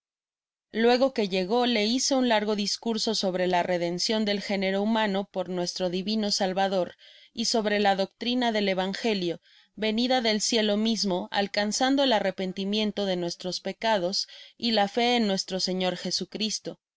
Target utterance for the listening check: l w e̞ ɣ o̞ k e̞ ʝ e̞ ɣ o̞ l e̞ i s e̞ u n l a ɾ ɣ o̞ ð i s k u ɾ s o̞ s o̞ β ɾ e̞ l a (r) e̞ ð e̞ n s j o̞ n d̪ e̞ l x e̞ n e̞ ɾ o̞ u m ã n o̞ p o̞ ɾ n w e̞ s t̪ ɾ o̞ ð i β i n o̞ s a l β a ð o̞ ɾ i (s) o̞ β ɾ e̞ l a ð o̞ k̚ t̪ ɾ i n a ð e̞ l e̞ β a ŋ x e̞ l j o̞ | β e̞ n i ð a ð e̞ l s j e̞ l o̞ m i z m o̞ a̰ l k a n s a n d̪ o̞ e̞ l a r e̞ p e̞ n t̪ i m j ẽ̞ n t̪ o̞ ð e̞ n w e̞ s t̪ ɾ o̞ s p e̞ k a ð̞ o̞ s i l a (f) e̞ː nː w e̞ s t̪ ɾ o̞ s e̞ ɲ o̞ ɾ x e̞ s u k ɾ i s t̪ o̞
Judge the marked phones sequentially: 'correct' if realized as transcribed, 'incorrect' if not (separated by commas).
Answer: correct, correct, correct